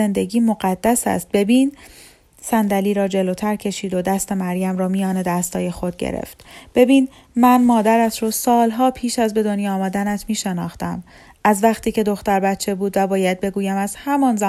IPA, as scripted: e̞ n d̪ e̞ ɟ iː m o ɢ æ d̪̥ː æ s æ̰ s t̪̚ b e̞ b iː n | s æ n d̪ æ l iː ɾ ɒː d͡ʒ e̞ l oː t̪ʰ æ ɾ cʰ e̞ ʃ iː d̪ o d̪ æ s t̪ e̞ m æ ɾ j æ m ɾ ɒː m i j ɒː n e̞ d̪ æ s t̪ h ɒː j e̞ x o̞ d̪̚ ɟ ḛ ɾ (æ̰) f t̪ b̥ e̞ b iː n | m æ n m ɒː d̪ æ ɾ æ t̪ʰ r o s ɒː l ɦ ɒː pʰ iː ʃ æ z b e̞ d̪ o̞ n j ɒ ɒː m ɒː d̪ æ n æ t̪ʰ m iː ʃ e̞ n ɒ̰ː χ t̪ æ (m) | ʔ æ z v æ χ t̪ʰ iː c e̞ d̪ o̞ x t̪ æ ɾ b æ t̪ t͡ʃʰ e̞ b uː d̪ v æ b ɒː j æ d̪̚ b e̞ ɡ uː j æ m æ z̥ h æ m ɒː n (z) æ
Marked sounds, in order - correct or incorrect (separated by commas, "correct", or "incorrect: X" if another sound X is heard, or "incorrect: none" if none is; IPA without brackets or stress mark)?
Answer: incorrect: ḛ, correct, correct